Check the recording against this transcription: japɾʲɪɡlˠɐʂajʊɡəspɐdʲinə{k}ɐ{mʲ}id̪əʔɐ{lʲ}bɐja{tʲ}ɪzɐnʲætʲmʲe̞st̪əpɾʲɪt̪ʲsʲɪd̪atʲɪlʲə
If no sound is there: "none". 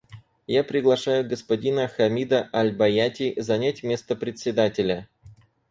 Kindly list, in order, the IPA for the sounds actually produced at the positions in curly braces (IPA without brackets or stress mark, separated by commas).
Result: x, mʲ, lʲ, tʲ